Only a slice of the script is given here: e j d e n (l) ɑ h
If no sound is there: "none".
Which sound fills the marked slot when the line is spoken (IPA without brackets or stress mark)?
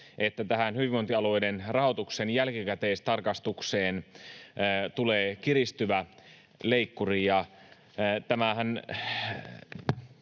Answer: r